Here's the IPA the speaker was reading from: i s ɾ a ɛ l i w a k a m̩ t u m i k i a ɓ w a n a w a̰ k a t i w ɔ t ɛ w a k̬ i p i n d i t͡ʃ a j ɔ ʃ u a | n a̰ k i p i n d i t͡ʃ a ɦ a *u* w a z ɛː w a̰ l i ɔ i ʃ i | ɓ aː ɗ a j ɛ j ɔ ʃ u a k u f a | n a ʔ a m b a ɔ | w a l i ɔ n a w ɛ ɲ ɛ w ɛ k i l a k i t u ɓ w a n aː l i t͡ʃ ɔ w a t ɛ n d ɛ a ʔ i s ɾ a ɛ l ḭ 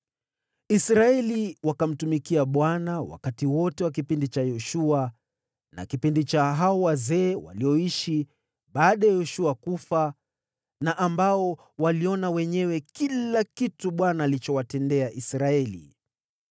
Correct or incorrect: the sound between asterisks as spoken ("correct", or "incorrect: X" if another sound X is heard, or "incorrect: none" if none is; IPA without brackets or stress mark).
incorrect: ɔ